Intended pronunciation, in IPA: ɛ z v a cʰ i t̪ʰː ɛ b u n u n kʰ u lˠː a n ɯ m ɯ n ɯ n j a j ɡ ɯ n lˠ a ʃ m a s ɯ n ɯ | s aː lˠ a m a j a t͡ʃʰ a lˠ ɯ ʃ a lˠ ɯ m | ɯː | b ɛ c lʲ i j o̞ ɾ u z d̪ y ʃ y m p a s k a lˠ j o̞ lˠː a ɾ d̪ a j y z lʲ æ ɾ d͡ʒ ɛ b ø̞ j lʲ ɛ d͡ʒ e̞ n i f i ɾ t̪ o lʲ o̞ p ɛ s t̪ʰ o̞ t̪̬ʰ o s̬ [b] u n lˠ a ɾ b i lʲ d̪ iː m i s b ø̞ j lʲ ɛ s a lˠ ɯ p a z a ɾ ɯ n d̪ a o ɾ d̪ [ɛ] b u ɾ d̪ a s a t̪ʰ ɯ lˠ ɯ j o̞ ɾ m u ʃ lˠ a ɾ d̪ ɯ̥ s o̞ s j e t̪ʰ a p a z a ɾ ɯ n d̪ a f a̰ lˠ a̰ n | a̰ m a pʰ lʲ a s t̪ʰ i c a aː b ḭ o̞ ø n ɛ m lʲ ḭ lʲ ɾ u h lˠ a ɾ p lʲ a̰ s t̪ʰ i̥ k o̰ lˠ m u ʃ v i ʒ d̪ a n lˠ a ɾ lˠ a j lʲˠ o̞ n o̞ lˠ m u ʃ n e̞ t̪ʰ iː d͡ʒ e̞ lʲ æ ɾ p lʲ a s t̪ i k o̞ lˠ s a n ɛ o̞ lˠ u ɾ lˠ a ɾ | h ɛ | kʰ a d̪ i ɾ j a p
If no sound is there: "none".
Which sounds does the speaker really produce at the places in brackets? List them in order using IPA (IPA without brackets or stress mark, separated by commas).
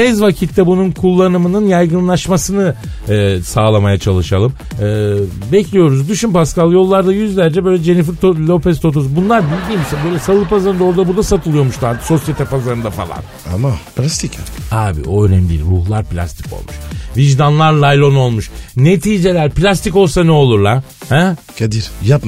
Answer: b, a